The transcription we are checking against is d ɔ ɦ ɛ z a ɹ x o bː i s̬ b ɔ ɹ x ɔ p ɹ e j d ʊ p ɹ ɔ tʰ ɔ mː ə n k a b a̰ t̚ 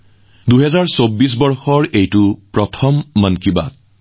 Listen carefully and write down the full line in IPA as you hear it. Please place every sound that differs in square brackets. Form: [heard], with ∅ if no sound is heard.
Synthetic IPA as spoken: d [u] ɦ ɛ z a ɹ [s] o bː i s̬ b ɔ ɹ x ɔ [∅] ɹ e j [t] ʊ p ɹ ɔ tʰ ɔ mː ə n k [i] b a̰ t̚